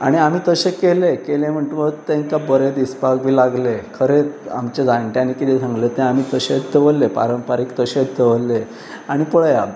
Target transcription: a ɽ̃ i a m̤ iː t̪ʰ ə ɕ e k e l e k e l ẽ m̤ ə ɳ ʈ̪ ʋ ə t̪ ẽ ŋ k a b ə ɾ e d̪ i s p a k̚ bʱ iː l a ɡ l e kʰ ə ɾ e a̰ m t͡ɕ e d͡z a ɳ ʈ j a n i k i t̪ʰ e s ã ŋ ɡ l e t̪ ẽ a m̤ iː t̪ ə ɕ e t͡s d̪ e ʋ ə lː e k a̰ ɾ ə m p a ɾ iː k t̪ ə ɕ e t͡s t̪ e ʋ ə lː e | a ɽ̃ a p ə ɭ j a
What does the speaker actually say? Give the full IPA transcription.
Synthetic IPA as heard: a ɽ̃ i a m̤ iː t̪ ə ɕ e k e l e k e l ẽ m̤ ə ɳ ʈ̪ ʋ ə t̪ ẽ ŋ k a b ə ɾ e d̪ i s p a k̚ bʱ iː l a ɡ l e kʰ ə ɾ e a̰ m t͡ɕ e d͡z a ɳ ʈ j a n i k i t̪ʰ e s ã ŋ ɡ l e t̪ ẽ a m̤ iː t̪ ə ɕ e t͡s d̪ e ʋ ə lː e p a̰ ɾ ə m p a ɾ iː k t̪ ə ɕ e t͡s d̪ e ʋ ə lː e | a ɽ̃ i p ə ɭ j a